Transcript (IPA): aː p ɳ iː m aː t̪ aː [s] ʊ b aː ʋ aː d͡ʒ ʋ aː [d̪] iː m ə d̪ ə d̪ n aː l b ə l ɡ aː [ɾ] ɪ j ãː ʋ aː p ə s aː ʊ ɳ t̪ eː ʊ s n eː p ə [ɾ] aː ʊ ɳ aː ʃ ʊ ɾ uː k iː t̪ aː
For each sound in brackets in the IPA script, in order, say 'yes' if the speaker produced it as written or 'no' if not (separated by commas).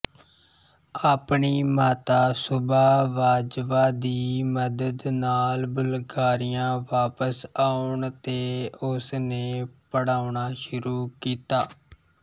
yes, yes, yes, no